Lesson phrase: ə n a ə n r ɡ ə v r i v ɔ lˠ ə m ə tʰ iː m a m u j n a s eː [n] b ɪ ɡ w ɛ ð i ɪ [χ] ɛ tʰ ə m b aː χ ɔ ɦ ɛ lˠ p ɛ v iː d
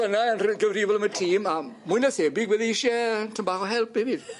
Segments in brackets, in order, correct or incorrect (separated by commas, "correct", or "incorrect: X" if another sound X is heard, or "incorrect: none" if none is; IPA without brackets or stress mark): incorrect: none, incorrect: ʃ